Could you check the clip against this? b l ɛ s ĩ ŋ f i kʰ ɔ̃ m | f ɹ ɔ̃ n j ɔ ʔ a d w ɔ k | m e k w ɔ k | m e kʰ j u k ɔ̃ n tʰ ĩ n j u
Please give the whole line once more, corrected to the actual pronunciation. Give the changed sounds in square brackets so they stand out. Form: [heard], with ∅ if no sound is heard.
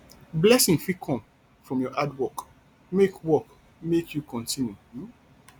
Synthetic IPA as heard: b l ɛ s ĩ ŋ f i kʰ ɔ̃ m | f ɹ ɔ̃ [m] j ɔ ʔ a d w ɔ k | m e k w ɔ k | m e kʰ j u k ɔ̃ n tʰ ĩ n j u